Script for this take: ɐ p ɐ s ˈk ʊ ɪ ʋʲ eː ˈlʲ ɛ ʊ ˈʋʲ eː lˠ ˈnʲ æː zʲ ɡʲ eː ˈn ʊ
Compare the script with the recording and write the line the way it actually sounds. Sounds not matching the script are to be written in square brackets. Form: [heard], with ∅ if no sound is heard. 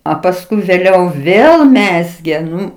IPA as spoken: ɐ p ɐ s ˈk ʊ ɪ ʋʲ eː ˈlʲ ɛ ʊ ˈʋʲ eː lˠ [ˈmʲ] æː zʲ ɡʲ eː ˈn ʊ